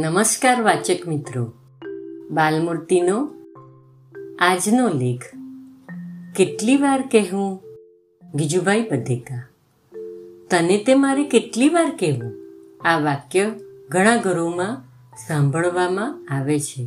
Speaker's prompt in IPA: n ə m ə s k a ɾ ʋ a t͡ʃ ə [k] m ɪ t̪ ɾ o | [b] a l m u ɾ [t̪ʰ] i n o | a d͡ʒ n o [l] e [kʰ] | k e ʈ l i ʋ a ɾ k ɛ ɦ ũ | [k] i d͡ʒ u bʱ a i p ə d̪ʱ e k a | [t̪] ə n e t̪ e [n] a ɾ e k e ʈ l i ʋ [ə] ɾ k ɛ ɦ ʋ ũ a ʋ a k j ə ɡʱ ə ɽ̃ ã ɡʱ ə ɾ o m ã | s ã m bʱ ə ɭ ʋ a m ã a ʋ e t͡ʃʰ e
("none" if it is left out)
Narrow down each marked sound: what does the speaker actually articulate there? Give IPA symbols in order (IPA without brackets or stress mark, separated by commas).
k, b, t̪, l, kʰ, ɡ, t̪, m, a